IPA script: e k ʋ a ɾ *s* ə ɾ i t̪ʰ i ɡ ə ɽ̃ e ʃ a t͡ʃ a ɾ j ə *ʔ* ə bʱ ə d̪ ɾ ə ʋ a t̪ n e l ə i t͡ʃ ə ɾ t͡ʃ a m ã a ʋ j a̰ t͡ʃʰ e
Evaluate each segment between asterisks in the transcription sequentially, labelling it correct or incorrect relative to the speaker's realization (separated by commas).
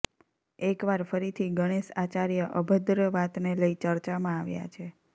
incorrect, correct